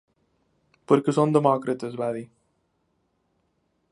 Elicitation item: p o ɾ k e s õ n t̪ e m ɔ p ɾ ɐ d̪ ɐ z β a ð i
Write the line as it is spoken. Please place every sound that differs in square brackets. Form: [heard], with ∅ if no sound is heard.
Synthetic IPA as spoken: p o ɾ k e s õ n [d̪] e m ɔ [k] ɾ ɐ [t̪] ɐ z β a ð i